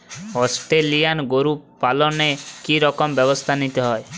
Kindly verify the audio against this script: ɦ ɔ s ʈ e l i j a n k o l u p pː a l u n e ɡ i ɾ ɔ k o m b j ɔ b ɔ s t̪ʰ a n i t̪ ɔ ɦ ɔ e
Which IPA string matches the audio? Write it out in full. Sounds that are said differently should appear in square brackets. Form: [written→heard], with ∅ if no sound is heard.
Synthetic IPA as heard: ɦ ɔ s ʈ e l i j a n [k→ɡ] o [l→ɾ] u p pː a l [u→ɔ] n e [ɡ→k] i ɾ ɔ k [o→ɔ] m b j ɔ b ɔ s t̪ʰ a n i t̪ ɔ ɦ ɔ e